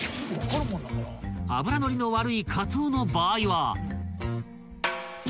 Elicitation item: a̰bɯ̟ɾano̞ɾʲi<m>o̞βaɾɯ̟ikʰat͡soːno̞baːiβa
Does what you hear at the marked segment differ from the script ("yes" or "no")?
yes